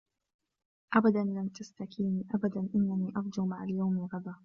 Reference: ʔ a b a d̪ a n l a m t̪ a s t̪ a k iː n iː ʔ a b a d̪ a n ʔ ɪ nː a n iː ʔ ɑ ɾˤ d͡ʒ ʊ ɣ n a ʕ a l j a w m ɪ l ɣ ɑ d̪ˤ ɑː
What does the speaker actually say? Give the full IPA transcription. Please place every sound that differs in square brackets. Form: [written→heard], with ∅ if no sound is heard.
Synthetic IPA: ʔ a b a d̪ a n l a m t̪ a s t̪ a k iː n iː ʔ a b a d̪ a n ʔ ɪ nː a n iː ʔ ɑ ɾˤ d͡ʒ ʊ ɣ [n→m] a ʕ a l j a w m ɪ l ɣ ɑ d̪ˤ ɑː